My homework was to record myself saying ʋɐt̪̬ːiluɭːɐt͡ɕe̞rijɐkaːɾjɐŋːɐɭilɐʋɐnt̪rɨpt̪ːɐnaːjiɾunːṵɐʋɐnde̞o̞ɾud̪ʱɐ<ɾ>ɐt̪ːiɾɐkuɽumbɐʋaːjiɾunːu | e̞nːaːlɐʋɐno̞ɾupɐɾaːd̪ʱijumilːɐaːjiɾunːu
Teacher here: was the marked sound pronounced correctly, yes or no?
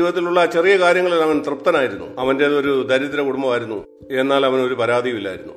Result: yes